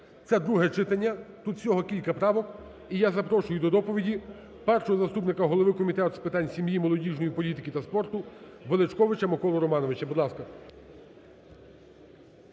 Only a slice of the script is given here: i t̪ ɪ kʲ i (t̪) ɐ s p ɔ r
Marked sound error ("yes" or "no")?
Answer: no